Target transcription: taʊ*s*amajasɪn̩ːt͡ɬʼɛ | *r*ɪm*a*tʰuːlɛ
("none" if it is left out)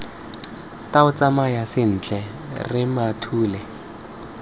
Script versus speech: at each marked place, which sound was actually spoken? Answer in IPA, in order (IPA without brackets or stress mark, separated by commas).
t͡s, r, a